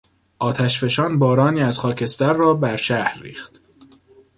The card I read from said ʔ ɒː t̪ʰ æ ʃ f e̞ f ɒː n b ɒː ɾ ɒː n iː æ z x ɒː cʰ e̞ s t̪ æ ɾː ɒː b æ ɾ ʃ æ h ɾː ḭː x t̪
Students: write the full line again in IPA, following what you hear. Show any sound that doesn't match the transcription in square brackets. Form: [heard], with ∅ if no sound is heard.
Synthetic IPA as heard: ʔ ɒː t̪ʰ æ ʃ f e̞ [ʃ] ɒː n b ɒː ɾ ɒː n iː æ z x ɒː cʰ e̞ s t̪ æ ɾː ɒː b æ ɾ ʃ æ h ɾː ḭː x t̪

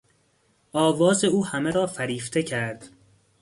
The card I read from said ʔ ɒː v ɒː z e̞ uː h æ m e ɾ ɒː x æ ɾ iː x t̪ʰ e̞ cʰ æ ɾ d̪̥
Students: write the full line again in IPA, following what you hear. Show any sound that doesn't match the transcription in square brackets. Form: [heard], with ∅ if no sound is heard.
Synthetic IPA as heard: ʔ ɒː v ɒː z e̞ uː h æ m e ɾ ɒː [f] æ ɾ iː [f] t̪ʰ e̞ cʰ æ ɾ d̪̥

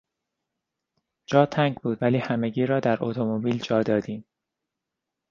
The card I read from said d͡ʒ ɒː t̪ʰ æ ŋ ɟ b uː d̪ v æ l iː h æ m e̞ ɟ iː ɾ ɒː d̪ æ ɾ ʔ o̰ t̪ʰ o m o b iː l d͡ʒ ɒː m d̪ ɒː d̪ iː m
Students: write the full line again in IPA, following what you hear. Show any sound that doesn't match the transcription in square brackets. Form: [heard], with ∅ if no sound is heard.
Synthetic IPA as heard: d͡ʒ ɒː t̪ʰ æ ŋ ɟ b uː d̪ v æ l iː h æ m e̞ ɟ iː ɾ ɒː d̪ æ ɾ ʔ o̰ t̪ʰ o m o b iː l d͡ʒ ɒː [∅] d̪ ɒː d̪ iː m

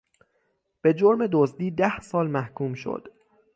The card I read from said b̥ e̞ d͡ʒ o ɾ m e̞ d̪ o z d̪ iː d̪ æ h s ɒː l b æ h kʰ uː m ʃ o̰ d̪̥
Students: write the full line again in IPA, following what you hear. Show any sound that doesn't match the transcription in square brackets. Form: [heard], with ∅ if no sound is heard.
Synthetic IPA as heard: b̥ e̞ d͡ʒ o ɾ m e̞ d̪ o z d̪ iː d̪ æ h s ɒː l [m] æ h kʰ uː m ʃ o̰ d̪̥

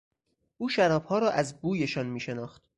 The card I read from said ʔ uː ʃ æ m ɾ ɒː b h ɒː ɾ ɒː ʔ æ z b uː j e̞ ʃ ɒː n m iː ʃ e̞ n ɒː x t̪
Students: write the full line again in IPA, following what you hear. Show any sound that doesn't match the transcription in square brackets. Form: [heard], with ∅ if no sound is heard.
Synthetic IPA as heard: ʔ uː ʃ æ [∅] ɾ ɒː b h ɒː ɾ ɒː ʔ æ z b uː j e̞ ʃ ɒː n m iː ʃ e̞ n ɒː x t̪

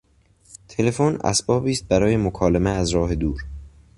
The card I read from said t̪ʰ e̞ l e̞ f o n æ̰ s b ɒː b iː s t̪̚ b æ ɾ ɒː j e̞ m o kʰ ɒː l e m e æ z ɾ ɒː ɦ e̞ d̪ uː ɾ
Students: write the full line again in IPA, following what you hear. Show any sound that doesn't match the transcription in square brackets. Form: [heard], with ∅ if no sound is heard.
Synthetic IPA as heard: t̪ʰ e̞ l e̞ f o n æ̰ s b ɒː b iː s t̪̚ b æ ɾ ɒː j e̞ m o kʰ ɒː l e m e æ z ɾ ɒː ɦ e̞ d̪ uː ɾ

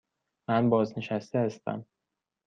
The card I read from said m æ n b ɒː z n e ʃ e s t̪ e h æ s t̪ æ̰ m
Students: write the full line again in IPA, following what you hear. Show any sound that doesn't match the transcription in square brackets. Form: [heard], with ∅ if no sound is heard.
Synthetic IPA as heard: m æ n b ɒː z n e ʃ [æ] s t̪ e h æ s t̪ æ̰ m

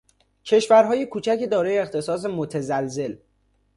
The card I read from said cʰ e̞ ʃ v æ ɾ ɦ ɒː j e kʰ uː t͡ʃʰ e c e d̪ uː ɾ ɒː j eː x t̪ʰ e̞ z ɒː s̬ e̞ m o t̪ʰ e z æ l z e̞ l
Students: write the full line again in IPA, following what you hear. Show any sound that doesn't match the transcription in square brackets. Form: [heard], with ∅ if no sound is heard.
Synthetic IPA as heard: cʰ e̞ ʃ v æ ɾ ɦ ɒː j e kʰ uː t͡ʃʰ [æ] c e d̪ [ɒː] ɾ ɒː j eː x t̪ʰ e̞ [s] ɒː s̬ e̞ m o t̪ʰ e z æ l z e̞ l

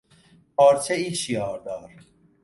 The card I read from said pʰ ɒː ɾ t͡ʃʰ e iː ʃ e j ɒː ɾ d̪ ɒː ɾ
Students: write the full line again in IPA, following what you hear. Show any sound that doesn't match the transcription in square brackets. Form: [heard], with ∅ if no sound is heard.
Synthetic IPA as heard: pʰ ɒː ɾ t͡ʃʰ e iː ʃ [i] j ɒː ɾ d̪ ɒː ɾ

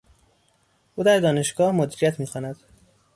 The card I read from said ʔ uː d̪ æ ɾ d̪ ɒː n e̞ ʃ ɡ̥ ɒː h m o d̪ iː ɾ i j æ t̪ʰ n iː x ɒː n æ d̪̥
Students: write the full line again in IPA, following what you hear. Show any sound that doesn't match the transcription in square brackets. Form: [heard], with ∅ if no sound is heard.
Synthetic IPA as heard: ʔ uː d̪ æ ɾ d̪ ɒː n e̞ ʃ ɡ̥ ɒː h m o d̪ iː ɾ i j æ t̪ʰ [m] iː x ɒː n æ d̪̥

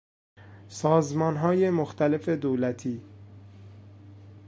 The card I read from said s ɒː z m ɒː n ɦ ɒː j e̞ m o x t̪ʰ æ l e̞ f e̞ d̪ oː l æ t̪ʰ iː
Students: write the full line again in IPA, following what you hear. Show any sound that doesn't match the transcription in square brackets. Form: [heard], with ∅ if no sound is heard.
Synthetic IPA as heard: s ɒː z m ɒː n ɦ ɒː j e̞ m o x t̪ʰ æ l e̞ f e̞ d̪ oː l æ t̪ʰ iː

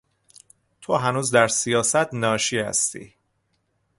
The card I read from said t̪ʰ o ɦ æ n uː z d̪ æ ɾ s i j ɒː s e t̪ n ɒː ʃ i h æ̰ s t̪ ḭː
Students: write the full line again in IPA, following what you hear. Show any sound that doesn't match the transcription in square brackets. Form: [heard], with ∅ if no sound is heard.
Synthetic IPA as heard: t̪ʰ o ɦ æ n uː z d̪ æ ɾ s i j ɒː s [æ] t̪ n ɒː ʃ i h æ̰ s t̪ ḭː

